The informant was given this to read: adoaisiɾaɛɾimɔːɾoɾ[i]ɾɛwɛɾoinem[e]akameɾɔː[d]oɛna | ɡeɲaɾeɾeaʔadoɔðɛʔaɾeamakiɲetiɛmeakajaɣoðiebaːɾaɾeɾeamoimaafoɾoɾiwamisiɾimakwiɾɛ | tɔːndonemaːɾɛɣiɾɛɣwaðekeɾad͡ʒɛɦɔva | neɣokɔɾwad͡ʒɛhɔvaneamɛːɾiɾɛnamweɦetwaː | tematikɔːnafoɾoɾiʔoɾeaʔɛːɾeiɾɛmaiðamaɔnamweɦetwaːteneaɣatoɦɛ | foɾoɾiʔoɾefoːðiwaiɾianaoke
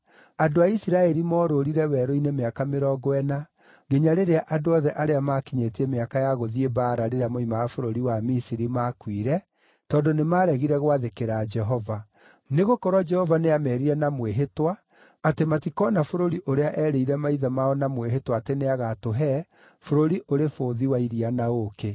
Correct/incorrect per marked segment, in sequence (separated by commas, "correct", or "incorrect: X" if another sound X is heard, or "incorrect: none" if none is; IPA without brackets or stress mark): correct, correct, incorrect: ɡ